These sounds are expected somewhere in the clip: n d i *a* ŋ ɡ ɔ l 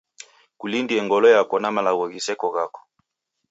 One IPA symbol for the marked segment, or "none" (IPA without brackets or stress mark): ɛ